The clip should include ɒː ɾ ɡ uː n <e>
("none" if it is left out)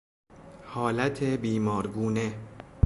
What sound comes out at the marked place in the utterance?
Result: e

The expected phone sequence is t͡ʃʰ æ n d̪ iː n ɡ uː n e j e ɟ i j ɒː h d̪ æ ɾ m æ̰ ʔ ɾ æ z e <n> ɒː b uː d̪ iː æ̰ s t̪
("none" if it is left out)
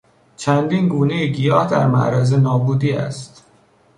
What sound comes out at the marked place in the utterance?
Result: n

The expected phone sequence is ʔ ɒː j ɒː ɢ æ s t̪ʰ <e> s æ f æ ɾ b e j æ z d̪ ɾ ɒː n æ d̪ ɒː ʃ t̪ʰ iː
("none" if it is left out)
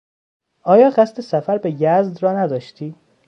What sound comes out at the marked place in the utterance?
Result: e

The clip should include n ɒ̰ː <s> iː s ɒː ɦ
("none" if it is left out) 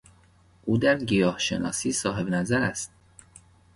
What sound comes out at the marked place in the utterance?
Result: s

